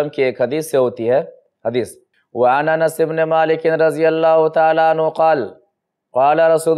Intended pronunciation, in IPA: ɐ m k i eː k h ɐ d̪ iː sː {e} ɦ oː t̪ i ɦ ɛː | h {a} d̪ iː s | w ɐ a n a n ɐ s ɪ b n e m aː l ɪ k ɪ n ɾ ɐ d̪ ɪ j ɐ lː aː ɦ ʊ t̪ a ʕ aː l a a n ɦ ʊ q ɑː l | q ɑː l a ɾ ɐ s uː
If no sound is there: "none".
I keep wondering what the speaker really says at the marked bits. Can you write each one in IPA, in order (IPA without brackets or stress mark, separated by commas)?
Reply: e, ɐ